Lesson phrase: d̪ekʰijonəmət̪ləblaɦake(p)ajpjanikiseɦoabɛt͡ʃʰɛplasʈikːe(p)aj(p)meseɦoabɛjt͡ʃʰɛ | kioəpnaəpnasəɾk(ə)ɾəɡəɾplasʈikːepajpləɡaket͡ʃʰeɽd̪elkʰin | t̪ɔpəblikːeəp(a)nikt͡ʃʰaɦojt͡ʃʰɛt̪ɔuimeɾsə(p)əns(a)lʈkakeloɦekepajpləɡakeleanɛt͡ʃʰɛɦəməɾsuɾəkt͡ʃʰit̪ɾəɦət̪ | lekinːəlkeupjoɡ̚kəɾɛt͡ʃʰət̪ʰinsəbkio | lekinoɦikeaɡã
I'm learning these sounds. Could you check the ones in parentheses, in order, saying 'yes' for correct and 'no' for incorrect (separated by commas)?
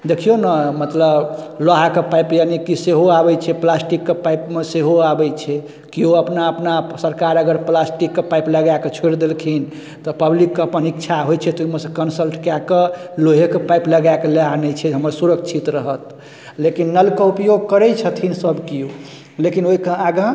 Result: yes, yes, yes, no, no, no, no